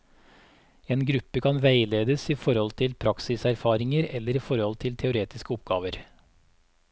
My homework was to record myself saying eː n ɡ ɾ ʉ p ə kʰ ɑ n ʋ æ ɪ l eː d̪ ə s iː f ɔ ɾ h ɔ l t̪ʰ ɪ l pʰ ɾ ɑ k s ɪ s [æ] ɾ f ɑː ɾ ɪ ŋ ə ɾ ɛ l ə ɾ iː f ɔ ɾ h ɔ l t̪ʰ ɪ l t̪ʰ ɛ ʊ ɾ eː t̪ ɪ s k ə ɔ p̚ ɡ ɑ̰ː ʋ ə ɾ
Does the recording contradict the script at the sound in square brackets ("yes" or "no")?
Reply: no